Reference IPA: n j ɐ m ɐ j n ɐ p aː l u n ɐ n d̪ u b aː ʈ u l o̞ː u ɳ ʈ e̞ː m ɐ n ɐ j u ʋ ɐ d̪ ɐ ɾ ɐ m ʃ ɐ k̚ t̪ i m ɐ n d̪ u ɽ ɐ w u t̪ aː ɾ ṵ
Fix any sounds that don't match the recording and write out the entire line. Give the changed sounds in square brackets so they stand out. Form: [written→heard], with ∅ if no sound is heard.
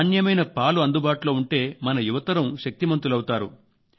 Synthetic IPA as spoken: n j ɐ m ɐ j n ɐ p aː l u [n→∅] ɐ n d̪ u b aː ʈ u l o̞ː u ɳ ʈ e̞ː m ɐ n ɐ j u ʋ ɐ [d̪→t̪] ɐ ɾ ɐ m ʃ ɐ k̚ t̪ i m ɐ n [d̪→t̪] u [ɽ→l] ɐ w u t̪ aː ɾ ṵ